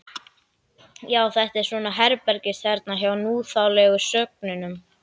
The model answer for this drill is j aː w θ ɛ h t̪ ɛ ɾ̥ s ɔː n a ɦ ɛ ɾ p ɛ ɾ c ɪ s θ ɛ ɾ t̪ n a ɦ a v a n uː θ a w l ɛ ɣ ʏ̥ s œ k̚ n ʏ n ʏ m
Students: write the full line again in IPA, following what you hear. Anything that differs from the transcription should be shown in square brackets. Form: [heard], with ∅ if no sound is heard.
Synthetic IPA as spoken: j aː w θ ɛ h t̪ ɛ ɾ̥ s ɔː n a ɦ ɛ ɾ p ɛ ɾ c ɪ s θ ɛ ɾ t̪ n a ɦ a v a n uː θ a w l ɛ ɣ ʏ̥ s œ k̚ n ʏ n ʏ m